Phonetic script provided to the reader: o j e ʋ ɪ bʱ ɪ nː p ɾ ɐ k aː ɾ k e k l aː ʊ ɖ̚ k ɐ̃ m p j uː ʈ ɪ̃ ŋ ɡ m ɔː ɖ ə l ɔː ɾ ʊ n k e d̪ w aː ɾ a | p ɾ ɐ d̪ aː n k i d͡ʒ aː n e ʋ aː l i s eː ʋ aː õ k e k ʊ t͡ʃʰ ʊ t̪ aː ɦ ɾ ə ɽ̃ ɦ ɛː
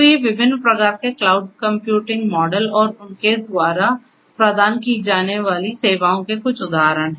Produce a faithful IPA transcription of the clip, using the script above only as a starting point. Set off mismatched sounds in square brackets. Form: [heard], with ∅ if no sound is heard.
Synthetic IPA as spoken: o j e ʋ ɪ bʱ ɪ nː p ɾ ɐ k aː ɾ k e k l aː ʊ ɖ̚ k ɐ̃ m p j uː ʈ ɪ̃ ŋ ɡ m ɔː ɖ ə l ɔː ɾ ʊ n k e d̪ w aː ɾ a | p ɾ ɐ d̪ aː n k i d͡ʒ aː n e ʋ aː l i s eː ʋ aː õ k e k ʊ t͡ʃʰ ʊ [d̪] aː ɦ ɾ ə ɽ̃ ɦ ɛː